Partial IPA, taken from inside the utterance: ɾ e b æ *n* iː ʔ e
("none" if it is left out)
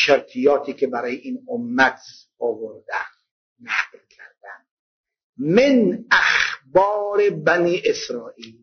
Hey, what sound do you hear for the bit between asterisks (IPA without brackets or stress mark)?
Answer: n